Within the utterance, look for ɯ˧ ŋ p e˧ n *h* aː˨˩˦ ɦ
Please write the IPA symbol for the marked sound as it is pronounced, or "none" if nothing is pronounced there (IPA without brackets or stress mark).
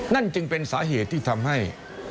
s